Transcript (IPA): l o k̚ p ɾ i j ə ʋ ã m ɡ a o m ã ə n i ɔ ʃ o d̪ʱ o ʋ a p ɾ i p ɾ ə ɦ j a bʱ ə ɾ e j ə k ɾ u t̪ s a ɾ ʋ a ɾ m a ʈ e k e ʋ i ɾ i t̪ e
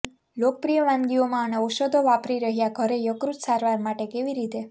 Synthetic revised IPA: l o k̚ p ɾ i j ə ʋ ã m ɡ i o m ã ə n e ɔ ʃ o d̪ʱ o ʋ a p ɾ i ɾ ə ɦ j a ɡʱ ə ɾ e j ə k ɾ u t̪ s a ɾ ʋ a ɾ m a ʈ e k e ʋ i ɾ i t̪ e